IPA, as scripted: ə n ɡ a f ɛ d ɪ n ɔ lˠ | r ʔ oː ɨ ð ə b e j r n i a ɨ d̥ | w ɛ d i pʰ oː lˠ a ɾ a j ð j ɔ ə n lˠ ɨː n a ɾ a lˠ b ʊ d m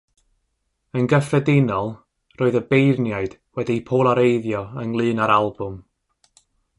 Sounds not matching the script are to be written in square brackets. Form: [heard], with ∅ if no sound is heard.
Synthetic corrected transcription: ə n ɡ [ə] f ɛ d ɪ n ɔ lˠ | r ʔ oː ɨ ð ə b e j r n [j] a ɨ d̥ | w ɛ d i pʰ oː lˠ a ɾ [e] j ð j ɔ ə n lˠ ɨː n a ɾ a lˠ b ʊ [∅] m